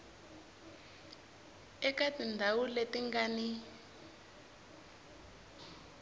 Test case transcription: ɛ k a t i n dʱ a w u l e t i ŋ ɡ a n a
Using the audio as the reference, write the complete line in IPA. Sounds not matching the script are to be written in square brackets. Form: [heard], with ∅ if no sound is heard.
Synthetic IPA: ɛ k a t i n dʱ a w u l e t i ŋ ɡ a n [i]